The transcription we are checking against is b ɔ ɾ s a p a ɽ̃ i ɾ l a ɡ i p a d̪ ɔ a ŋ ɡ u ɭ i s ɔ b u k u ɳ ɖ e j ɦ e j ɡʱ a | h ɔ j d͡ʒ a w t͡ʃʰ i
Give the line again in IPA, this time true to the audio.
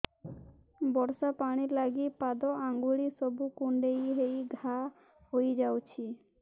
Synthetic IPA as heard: b ɔ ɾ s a p a ɽ̃ i ɾ l a ɡ i p a d̪ ɔ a ŋ ɡ u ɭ i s ɔ b u k u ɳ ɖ e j ɦ e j ɡʱ a | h o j d͡ʒ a w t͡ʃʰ i